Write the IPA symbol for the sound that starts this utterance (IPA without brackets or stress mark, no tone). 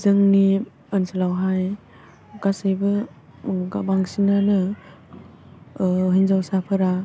z